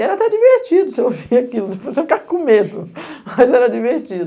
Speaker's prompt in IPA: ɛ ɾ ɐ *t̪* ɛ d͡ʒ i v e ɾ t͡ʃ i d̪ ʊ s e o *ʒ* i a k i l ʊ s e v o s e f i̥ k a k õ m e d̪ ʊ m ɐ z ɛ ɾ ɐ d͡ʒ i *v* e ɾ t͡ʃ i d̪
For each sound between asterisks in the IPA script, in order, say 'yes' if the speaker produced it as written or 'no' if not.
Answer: yes, no, yes

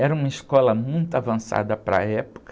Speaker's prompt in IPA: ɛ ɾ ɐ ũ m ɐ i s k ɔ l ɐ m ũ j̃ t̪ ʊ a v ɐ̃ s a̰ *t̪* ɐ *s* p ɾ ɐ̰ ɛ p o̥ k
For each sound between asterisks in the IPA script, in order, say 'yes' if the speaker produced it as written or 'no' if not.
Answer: no, no

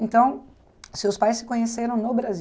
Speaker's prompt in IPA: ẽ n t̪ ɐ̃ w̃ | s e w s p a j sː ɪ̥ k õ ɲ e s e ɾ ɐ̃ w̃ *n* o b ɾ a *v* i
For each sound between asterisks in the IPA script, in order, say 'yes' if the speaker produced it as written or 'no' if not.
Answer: yes, no

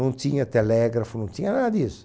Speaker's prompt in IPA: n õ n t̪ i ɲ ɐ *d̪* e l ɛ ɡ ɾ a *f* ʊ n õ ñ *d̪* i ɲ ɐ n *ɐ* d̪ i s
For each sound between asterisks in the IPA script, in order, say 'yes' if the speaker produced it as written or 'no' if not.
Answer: no, yes, no, no

